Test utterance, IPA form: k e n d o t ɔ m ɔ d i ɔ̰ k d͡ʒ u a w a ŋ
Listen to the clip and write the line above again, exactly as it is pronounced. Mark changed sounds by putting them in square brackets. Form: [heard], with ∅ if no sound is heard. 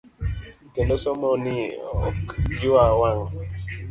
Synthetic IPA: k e n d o [s] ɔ m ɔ [n] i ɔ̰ k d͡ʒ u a w a ŋ